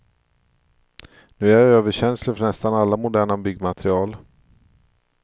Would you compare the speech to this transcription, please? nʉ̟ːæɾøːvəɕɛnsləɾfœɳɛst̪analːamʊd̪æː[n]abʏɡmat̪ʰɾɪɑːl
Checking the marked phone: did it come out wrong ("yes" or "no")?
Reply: yes